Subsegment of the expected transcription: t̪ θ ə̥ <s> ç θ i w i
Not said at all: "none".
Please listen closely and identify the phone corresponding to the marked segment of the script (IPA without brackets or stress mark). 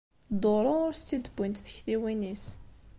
none